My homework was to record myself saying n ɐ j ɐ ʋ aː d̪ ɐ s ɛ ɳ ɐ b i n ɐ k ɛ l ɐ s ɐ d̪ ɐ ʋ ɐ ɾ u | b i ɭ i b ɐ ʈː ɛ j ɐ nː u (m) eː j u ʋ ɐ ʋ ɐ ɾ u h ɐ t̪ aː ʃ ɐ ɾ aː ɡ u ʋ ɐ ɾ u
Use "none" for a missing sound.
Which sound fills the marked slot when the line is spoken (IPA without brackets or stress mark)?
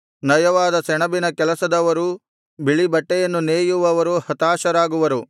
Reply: n